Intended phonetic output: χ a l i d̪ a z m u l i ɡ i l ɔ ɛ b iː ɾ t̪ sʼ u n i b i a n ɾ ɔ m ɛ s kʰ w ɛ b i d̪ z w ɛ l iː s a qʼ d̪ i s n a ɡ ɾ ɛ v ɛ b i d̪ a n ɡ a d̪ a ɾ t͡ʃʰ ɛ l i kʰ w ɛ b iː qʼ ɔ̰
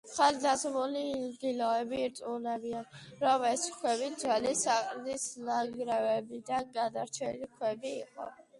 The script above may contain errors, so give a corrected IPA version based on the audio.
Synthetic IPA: χ a l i d̪ a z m u l i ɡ i l ɔ ɛ b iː ɾ t̪ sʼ u n ɛ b i a n ɾ ɔ m ɛ s kʰ w ɛ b i d̪ z w ɛ l i s a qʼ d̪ i s n a ɡ ɾ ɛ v ɛ b i d̪ a n ɡ a d̪ a ɾ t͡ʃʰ ɛ l i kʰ w ɛ b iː qʼ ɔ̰